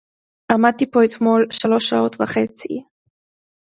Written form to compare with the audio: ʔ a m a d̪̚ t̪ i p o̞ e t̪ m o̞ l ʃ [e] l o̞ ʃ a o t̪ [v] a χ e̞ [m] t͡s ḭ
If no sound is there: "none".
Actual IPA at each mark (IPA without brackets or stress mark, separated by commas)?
a, v, none